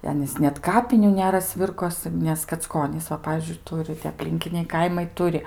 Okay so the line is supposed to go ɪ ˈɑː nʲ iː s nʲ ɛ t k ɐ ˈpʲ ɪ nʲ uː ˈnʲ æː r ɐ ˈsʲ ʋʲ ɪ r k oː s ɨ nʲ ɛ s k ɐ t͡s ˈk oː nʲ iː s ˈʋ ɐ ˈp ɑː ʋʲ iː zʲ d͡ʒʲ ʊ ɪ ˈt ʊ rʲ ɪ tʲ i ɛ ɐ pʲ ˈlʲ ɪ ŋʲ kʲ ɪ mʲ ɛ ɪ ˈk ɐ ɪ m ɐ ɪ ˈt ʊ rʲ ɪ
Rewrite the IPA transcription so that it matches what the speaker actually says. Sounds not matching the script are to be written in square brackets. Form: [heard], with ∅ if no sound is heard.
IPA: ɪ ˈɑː nʲ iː s nʲ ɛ t k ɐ ˈpʲ ɪ nʲ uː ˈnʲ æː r ɐ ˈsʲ ʋʲ ɪ r k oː s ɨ nʲ ɛ s k ɐ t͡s ˈk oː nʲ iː s ˈʋ ɐ ˈp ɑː ʋʲ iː zʲ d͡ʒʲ ʊ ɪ ˈt ʊ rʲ ɪ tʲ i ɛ ɐ pʲ ˈlʲ ɪ ŋʲ kʲ ɪ [nʲ] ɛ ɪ ˈk ɐ ɪ m ɐ ɪ ˈt ʊ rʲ ɪ